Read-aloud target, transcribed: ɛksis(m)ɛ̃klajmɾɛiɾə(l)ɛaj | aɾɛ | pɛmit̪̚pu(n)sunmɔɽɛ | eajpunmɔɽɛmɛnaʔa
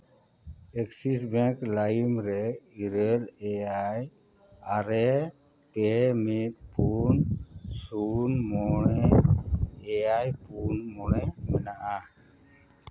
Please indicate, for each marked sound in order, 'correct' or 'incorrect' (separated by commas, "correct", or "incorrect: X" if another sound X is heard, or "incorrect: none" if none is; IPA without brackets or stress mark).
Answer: incorrect: b, correct, correct